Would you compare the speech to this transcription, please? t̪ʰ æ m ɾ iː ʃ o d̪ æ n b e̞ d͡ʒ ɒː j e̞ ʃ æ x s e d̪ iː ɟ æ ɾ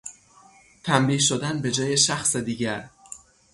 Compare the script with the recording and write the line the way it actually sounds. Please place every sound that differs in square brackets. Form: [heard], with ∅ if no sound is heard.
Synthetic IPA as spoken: t̪ʰ æ m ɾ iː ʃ o d̪ æ n b e̞ d͡ʒ ɒː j e̞ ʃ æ x s e d̪ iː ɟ æ ɾ

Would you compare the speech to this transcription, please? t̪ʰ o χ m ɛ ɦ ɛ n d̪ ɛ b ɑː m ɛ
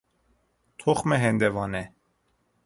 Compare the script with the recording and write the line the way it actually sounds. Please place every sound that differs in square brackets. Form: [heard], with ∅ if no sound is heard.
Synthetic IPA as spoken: t̪ʰ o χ m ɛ ɦ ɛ n d̪ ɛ [v] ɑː [n] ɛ

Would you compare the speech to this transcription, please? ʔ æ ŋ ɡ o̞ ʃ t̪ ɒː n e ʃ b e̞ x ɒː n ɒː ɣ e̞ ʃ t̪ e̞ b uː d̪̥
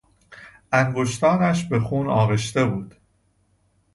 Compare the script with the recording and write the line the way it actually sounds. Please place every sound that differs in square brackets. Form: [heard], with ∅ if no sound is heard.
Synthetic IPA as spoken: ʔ æ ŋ ɡ o̞ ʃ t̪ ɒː n [æ] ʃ b e̞ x [uː] n ɒː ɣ e̞ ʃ t̪ e̞ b uː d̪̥

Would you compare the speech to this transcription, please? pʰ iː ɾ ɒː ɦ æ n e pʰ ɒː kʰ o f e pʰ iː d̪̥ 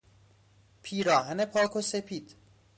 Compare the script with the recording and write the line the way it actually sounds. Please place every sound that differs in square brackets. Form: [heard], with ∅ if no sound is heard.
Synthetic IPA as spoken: pʰ iː ɾ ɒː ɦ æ n e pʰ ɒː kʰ o [s] e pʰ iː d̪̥

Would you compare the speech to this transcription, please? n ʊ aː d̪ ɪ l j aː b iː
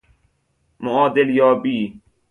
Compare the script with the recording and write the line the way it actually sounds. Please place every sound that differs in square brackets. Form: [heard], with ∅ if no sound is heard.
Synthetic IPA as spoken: [m] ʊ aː d̪ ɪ l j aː b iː

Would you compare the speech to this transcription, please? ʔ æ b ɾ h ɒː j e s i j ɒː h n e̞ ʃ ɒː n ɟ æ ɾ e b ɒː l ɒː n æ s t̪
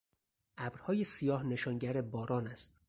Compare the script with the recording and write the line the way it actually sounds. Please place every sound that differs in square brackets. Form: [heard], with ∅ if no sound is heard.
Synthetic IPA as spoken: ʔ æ b ɾ h ɒː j e s i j ɒː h n e̞ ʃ ɒː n ɟ æ ɾ e b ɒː [ɾ] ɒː n æ s t̪

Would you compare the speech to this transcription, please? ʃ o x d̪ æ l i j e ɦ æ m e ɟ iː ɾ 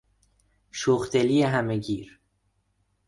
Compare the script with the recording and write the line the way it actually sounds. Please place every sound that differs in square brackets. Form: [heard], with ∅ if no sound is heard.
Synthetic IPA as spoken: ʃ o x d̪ [e] l i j e ɦ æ m e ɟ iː ɾ

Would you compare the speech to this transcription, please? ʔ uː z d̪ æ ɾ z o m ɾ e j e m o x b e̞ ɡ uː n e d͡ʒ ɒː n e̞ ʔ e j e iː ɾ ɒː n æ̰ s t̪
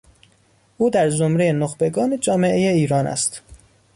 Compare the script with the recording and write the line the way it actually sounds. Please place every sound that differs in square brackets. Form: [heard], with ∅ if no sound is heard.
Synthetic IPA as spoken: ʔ uː [∅] d̪ æ ɾ z o m ɾ e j e [n] o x b e̞ ɡ [ɒː] n e d͡ʒ ɒː [m] e̞ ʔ e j e iː ɾ ɒː n æ̰ s t̪

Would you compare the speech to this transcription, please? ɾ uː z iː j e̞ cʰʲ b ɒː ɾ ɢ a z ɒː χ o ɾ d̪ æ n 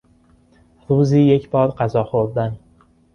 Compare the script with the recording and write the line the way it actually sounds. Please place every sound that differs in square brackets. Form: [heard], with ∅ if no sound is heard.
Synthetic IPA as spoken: ɾ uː z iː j e̞ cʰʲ b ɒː ɾ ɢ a z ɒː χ o ɾ d̪ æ n

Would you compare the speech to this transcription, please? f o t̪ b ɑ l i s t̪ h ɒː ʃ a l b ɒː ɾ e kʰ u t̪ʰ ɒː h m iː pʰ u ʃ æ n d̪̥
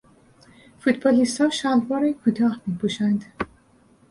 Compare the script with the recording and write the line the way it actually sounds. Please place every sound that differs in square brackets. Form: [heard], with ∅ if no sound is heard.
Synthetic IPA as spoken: f [u] t̪ b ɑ l i s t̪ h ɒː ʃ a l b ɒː ɾ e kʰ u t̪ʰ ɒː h m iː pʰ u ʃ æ n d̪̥

